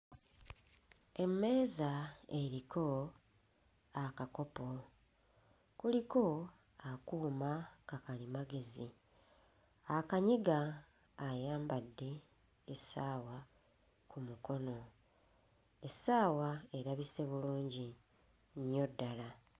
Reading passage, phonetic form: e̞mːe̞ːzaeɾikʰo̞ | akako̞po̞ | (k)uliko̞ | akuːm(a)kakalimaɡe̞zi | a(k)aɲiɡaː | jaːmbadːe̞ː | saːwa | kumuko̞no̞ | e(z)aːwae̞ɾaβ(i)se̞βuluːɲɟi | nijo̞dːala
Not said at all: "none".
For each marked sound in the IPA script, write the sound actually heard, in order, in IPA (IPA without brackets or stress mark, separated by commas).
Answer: k, a, k, s, i